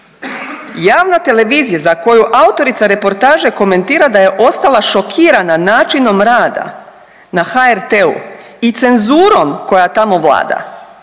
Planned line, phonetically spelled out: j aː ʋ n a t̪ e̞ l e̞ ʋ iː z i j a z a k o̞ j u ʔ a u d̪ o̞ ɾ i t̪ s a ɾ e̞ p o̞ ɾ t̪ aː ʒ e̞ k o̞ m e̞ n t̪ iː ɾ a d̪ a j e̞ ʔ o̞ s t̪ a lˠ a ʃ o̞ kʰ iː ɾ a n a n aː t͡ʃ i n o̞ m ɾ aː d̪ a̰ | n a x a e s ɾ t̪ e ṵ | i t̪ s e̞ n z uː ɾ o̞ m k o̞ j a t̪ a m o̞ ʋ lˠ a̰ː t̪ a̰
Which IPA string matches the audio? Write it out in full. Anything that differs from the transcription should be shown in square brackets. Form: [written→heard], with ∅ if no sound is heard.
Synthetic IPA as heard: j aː ʋ n a t̪ e̞ l e̞ ʋ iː z i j a z a k o̞ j u ʔ a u [d̪→t̪] o̞ ɾ i t̪ s a ɾ e̞ p o̞ ɾ t̪ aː ʒ e̞ k o̞ m e̞ n t̪ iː ɾ a d̪ a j e̞ ʔ o̞ s t̪ a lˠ a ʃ o̞ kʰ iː ɾ a n a n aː t͡ʃ i n o̞ m ɾ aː d̪ a̰ | n a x a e [s→∅] ɾ t̪ e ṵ | i t̪ s e̞ n z uː ɾ o̞ m k o̞ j a t̪ a m o̞ ʋ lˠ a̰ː [t̪→d̪] a̰